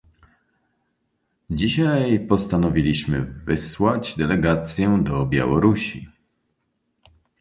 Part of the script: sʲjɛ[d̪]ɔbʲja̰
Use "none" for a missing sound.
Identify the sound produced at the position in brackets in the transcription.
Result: d̪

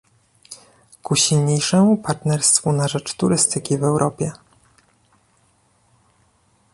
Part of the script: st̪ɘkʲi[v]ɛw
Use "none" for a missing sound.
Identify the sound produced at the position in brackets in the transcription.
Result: v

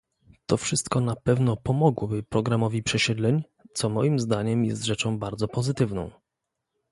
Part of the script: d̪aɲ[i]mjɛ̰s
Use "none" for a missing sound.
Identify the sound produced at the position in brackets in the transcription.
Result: ɛ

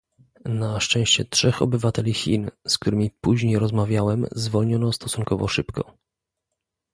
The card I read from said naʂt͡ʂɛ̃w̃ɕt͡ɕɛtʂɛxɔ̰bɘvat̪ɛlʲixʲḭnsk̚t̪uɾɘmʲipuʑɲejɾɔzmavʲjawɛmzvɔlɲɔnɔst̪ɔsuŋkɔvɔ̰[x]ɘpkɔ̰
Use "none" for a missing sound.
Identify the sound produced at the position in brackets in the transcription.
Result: ʂ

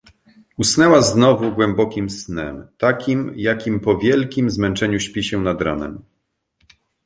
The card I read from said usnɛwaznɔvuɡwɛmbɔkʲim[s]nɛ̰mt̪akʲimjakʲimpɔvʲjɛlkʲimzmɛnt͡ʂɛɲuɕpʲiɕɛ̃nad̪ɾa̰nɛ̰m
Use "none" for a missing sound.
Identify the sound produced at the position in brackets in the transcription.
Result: s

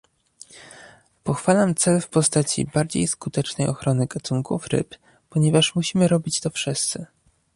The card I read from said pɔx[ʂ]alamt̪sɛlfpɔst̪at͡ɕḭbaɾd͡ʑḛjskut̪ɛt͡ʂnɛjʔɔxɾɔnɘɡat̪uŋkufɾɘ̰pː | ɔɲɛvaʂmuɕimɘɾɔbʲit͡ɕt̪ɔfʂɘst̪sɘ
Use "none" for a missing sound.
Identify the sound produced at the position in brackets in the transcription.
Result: f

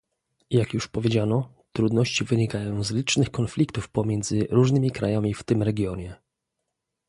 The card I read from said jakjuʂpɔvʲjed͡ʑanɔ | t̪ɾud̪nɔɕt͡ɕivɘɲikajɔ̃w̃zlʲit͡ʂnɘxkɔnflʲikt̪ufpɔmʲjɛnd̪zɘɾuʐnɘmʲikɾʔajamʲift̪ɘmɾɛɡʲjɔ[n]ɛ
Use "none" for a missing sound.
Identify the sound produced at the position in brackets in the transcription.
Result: ɲ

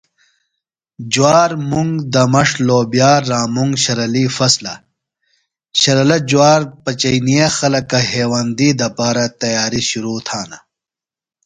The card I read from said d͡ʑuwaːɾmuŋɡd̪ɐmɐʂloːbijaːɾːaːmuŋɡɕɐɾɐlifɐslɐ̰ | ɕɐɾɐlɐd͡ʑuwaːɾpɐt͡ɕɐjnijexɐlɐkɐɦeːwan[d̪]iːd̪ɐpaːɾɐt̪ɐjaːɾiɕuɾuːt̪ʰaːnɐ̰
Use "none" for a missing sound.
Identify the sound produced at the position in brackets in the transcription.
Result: d̪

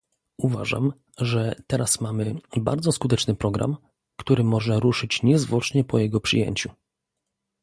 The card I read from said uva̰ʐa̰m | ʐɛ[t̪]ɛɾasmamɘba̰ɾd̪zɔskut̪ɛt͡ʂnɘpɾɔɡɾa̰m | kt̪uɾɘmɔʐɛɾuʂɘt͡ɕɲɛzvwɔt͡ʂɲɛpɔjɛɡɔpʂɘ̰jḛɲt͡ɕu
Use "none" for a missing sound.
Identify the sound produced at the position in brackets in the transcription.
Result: t̪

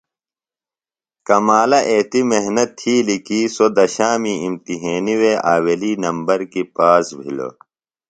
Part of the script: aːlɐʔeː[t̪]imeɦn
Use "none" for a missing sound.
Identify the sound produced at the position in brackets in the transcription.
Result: t̪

